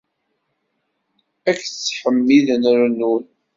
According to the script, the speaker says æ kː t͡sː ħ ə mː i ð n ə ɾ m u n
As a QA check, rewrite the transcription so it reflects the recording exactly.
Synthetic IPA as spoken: æ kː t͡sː ħ ə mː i ð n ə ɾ n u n